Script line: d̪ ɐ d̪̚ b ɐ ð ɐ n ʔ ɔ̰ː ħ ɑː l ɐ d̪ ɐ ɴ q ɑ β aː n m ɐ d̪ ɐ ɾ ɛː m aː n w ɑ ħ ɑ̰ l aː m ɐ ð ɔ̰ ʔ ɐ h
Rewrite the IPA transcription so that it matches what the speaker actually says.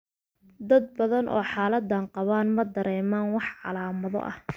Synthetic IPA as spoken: d̪ ɐ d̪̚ b ɐ ð ɐ n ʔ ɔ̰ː ħ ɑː l ɐ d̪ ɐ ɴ q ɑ β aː n m ɐ d̪ ɐ ɾ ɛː m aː n w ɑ ħ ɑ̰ l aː m ɐ ð ɔ̰ ʔ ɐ h